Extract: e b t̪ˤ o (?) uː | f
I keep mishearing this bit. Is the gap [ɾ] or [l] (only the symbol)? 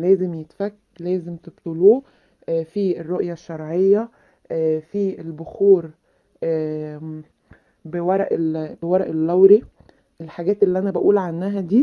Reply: l